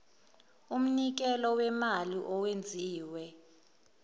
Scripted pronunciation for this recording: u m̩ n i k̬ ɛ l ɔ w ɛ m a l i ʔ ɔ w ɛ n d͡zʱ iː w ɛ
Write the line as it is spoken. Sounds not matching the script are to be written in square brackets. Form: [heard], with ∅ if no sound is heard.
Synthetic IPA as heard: u m̩ n i k̬ ɛ l ɔ w ɛ m a l i ʔ ɔ w [e] n d͡zʱ iː w ɛ